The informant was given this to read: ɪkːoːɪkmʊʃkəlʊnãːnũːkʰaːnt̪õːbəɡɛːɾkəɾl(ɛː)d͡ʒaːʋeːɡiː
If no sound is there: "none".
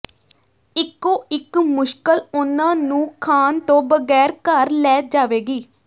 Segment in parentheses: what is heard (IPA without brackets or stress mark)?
ɛː